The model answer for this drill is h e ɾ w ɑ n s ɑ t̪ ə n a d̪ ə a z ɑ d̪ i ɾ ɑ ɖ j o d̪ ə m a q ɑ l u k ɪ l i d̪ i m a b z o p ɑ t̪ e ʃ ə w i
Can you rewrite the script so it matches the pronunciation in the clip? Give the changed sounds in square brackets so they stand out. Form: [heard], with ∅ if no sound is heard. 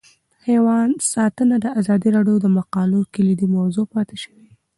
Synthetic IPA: h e [∅] w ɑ n s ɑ t̪ ə n a d̪ ə a z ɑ d̪ i ɾ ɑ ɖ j o d̪ ə m a q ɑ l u k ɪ l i d̪ i m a [w] z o p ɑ t̪ e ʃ ə w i